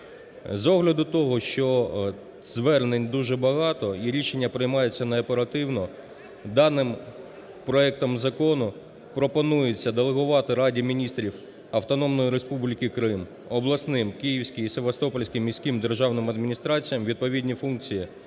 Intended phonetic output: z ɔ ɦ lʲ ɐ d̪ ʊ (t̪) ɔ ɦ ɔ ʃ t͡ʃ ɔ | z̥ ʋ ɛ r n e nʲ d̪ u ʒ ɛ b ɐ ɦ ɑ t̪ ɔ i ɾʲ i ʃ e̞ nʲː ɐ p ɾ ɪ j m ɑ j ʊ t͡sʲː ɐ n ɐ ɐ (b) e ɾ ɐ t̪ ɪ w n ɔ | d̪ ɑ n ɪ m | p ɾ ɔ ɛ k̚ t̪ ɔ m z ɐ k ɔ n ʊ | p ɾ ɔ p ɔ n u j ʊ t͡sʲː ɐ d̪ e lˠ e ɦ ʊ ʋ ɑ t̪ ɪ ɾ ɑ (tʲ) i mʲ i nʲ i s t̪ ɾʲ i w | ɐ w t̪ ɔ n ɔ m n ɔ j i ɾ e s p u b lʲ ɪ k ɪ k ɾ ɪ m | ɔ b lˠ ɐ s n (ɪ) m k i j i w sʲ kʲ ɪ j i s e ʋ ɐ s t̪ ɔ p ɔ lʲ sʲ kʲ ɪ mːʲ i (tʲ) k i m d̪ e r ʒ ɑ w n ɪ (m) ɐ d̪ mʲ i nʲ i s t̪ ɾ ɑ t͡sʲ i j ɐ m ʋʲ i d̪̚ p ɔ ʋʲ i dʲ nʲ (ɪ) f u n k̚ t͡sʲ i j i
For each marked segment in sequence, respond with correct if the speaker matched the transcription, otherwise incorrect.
correct, incorrect: p, incorrect: dʲ, correct, incorrect: sʲ, correct, incorrect: i

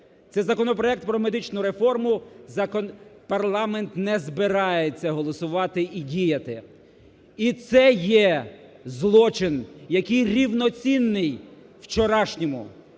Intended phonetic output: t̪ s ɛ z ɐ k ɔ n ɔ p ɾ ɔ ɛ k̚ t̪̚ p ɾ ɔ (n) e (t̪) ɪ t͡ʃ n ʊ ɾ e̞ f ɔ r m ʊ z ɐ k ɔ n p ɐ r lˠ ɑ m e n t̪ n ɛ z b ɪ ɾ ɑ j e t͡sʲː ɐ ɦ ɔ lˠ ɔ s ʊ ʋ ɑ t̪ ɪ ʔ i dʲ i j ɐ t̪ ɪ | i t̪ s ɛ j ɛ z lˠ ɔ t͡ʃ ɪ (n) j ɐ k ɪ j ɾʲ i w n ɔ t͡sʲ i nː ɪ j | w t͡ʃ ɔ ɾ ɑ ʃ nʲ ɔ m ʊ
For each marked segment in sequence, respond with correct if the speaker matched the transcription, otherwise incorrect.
incorrect: m, incorrect: d̪, correct

